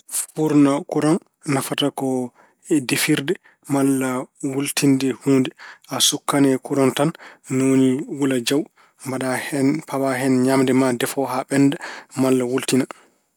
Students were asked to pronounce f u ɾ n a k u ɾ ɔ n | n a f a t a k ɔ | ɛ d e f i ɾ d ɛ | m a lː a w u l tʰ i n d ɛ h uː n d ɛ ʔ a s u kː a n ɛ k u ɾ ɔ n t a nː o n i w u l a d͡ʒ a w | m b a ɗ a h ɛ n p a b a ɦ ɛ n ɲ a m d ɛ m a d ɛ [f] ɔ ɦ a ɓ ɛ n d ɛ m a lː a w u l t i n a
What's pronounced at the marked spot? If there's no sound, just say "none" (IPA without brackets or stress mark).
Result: f